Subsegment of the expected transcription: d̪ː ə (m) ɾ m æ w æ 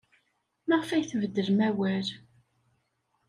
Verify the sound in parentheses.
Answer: incorrect: none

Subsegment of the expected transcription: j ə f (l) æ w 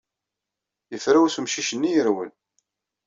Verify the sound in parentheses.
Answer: incorrect: ɾ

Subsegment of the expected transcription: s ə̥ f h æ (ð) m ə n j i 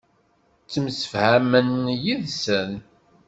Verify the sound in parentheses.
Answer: incorrect: none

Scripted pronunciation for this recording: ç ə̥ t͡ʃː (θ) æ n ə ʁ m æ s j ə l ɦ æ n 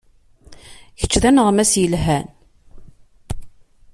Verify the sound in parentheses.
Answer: incorrect: ð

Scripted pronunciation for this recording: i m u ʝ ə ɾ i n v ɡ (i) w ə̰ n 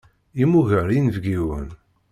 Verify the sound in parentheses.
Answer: correct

